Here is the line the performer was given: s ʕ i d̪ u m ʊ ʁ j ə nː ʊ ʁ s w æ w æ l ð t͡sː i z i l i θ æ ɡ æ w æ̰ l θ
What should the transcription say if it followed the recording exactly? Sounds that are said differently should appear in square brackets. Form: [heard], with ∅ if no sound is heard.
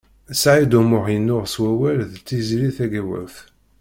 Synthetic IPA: s ʕ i d̪ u m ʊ ʁ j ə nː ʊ ʁ s w æ w æ l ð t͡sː i z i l i θ æ ɡ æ w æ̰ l θ